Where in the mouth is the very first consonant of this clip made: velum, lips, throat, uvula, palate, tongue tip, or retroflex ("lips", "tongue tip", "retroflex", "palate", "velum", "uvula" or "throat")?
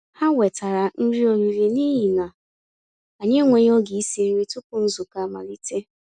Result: throat